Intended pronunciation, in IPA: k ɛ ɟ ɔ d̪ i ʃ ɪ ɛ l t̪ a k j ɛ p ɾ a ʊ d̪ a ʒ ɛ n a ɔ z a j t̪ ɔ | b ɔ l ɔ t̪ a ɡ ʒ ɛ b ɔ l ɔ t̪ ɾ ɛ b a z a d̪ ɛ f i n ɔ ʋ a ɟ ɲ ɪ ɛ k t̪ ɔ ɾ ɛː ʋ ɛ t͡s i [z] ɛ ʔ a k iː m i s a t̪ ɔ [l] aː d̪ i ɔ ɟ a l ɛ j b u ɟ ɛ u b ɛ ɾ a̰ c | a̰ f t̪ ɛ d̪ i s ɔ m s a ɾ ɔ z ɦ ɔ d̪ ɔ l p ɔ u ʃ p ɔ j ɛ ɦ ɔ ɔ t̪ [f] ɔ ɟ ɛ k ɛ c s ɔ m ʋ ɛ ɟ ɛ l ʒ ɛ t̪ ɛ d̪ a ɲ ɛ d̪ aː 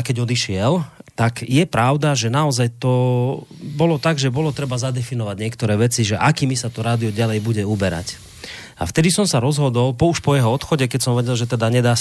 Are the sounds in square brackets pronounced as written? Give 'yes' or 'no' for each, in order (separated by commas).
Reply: no, no, no